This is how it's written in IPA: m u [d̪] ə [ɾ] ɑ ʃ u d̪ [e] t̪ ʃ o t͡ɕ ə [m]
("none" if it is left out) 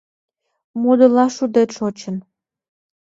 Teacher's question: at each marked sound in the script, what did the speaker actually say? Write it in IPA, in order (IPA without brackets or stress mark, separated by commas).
d̪, l, e, n